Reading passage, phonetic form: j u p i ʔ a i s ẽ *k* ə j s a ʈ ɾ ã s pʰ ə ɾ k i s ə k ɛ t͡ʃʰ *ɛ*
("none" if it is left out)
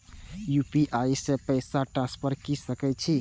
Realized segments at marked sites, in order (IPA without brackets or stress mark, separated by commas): p, i